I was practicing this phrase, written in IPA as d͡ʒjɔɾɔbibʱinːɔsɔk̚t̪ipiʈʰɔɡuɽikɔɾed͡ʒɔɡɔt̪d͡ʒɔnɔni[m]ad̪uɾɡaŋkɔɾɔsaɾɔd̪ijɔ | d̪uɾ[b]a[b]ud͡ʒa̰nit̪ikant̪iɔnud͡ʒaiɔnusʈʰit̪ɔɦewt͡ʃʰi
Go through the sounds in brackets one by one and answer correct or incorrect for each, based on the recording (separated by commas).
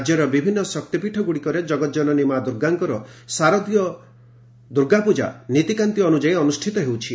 correct, incorrect, incorrect